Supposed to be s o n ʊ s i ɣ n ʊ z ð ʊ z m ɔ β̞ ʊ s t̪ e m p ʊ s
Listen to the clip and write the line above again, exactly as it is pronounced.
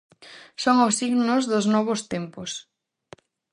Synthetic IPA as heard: s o ŋ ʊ s i ɣ n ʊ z ð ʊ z n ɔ β̞ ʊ s t̪ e m p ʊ s